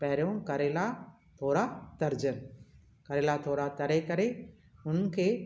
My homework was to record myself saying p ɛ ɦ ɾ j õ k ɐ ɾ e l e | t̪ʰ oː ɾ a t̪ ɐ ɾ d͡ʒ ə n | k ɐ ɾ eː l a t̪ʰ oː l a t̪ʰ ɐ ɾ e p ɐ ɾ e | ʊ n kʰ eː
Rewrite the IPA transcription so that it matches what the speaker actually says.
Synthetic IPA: p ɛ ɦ ɾ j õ k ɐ ɾ e l a | t̪ʰ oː ɾ a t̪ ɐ ɾ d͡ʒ ə n | k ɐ ɾ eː l a t̪ʰ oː ɾ a t̪ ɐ ɾ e k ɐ ɾ e | ʊ n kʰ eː